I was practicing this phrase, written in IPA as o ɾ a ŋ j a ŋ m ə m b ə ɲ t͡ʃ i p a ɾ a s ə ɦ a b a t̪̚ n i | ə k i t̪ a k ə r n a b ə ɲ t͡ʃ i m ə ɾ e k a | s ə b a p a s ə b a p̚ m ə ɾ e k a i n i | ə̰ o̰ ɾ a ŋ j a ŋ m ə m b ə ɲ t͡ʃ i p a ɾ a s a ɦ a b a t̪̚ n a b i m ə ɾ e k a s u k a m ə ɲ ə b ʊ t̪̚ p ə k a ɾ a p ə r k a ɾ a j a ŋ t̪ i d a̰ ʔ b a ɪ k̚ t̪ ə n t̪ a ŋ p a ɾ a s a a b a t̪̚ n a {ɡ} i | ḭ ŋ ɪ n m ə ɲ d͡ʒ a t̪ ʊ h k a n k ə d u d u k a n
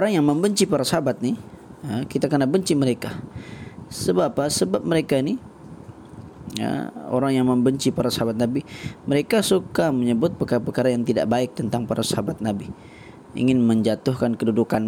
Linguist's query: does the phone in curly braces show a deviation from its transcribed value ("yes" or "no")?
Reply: yes